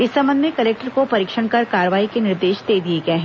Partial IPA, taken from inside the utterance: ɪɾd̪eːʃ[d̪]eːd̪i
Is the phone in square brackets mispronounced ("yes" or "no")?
no